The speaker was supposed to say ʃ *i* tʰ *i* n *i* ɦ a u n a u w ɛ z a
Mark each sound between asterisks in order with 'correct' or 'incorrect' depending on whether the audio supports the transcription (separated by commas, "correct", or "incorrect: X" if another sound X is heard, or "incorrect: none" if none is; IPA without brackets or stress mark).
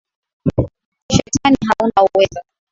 incorrect: ɛ, incorrect: a, correct